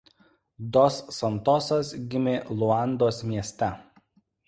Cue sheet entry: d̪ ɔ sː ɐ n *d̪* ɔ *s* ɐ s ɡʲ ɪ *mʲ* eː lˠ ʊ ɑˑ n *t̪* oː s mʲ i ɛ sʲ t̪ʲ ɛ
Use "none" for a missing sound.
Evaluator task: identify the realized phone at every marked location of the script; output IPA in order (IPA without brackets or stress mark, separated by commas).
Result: t̪, s, mʲ, d̪